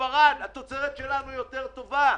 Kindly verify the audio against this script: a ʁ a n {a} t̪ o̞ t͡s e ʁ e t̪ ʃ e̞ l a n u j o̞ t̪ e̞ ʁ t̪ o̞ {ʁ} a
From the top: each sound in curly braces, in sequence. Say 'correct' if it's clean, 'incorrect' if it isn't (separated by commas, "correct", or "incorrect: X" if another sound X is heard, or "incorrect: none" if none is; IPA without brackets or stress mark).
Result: correct, incorrect: v